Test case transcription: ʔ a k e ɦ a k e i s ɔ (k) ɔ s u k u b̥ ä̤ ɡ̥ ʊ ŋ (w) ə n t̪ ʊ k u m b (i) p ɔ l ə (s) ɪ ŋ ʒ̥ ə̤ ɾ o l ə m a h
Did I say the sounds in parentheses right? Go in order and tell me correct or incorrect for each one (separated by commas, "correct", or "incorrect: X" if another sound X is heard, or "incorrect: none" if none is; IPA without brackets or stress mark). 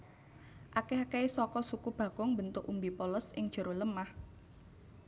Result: correct, incorrect: b, correct, correct